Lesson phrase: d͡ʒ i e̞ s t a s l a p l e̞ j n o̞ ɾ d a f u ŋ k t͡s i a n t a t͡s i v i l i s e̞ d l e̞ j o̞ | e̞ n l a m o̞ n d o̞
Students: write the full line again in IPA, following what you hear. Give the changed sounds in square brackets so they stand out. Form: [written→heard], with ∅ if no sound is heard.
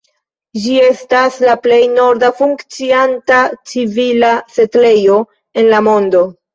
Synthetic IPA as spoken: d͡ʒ i e̞ s t a s l a p l e̞ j n o̞ ɾ d a f u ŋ k t͡s i a n t a t͡s i v i l [i→a] s e̞ [d→t] l e̞ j o̞ | e̞ n l a m o̞ n d o̞